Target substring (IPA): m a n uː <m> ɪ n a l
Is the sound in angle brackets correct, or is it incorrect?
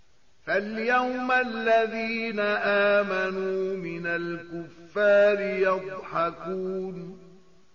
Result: correct